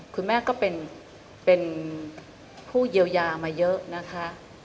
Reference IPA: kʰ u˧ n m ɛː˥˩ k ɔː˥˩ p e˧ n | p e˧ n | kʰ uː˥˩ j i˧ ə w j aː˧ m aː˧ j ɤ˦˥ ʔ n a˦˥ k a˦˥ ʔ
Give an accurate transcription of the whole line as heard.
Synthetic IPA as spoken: kʰ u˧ n m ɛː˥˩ k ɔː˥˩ p e˧ n | p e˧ n | pʰ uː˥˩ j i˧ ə w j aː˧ m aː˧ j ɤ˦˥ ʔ n a˦˥ kʰ a˦˥ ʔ